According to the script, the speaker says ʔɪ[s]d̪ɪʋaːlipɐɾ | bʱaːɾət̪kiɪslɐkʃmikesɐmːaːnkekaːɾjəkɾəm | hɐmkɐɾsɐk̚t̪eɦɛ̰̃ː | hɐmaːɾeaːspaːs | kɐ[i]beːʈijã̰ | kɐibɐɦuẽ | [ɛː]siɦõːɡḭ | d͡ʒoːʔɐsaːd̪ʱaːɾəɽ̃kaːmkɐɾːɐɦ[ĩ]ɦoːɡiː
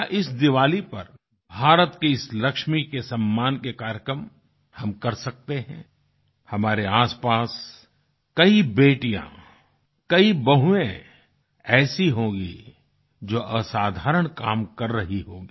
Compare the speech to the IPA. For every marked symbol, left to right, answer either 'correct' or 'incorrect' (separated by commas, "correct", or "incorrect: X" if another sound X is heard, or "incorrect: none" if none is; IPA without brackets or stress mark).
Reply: correct, correct, correct, incorrect: i